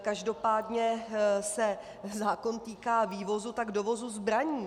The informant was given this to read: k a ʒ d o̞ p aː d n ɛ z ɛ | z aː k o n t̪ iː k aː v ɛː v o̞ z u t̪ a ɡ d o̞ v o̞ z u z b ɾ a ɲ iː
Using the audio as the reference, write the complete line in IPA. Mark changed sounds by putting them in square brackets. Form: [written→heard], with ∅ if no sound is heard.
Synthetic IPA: k a ʒ d o̞ p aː d [n→ɲ] ɛ [z→s] ɛ | z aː k o n t̪ iː k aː v [ɛː→iː] v o̞ z u t̪ a ɡ d o̞ v o̞ z u z b ɾ a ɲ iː